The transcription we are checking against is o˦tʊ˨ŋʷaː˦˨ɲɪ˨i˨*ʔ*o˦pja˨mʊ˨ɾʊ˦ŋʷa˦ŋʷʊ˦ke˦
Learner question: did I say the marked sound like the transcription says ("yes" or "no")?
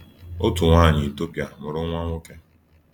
no